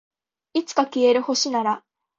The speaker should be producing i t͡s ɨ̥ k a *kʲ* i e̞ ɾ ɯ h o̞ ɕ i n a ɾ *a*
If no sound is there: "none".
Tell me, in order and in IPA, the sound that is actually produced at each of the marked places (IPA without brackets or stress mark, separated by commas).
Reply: kʲ, a